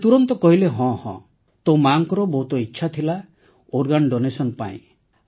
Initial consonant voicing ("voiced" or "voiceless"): voiceless